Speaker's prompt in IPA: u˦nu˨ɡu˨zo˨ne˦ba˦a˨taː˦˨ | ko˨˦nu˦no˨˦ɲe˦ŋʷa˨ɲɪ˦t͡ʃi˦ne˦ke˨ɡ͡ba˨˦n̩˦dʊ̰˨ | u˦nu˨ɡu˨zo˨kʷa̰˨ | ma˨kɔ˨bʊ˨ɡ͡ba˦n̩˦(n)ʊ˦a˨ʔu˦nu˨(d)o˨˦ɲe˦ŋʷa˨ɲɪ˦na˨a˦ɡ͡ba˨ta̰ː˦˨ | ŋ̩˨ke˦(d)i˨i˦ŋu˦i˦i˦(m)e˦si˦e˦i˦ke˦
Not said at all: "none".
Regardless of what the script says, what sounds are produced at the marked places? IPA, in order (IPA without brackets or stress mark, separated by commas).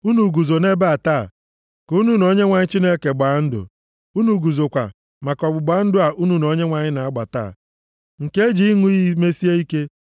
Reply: d, n, d͡ʒ, m